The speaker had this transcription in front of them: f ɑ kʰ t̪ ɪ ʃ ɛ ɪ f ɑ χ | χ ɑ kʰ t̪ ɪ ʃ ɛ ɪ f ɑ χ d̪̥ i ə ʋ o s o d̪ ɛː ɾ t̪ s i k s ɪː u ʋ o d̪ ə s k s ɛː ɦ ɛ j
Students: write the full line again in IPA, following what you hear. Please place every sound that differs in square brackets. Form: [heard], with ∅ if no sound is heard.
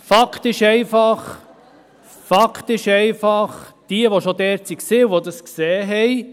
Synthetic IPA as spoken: f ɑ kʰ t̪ ɪ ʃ ɛ ɪ f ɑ χ | [f] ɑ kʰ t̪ ɪ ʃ ɛ ɪ f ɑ χ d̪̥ i ə ʋ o [ʃ] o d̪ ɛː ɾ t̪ s i k s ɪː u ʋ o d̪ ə s k s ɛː ɦ ɛ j